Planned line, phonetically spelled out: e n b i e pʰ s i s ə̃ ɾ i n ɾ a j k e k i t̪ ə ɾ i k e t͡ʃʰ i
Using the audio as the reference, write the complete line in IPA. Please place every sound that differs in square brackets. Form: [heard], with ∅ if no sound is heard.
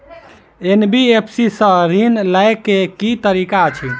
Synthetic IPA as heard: e n b i e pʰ s i s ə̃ ɾ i n [l] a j k e k i t̪ ə ɾ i k [a] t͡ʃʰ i